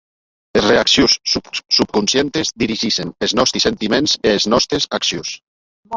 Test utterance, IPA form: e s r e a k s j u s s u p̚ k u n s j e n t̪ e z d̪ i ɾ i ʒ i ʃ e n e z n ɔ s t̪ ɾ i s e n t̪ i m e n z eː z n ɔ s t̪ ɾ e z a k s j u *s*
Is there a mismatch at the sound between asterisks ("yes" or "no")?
no